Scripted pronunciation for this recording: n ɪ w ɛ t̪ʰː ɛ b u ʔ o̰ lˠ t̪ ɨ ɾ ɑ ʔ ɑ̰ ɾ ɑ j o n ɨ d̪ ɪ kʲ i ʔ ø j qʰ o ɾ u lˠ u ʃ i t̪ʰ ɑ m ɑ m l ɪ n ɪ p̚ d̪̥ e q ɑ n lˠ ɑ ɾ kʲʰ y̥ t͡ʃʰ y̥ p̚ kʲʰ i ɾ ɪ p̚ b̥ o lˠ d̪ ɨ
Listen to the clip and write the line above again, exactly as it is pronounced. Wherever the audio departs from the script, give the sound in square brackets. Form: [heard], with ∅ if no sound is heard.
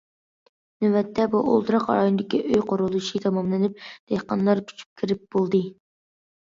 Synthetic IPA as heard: n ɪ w ɛ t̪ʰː ɛ b u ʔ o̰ lˠ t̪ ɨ ɾ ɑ [q] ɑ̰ ɾ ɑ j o n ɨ d̪ ɪ kʲ i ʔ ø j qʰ o ɾ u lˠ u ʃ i t̪ʰ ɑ m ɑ m l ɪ n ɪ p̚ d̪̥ e q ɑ n lˠ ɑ ɾ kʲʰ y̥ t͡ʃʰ y̥ p̚ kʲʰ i ɾ ɪ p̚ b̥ o lˠ d̪ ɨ